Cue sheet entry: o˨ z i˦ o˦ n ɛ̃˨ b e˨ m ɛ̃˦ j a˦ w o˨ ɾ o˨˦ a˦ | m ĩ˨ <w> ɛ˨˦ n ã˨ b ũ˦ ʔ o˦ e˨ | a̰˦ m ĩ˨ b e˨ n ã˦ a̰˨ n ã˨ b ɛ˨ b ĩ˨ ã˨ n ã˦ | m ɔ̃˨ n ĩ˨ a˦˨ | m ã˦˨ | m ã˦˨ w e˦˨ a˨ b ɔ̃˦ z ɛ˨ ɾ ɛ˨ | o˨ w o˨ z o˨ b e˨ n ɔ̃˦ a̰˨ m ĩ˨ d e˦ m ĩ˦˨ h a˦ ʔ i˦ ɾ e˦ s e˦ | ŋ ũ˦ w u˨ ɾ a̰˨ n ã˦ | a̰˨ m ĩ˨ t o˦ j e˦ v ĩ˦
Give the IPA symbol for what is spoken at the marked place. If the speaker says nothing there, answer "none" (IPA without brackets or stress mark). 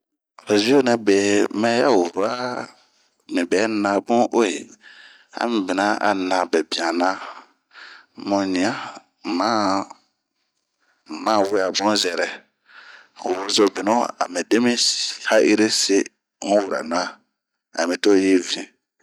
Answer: b